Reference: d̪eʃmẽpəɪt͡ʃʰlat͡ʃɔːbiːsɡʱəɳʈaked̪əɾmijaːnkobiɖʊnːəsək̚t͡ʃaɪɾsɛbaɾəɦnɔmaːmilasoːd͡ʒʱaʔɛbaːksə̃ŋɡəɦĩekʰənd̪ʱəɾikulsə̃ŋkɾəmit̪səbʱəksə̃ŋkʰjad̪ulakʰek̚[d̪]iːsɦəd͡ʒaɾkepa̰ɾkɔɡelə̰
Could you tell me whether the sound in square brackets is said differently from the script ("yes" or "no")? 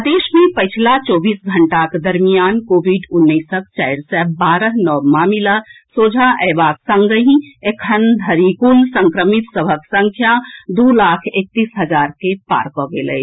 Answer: yes